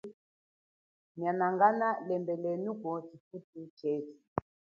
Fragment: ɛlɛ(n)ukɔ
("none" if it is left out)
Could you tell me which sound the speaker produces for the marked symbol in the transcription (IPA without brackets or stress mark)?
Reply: n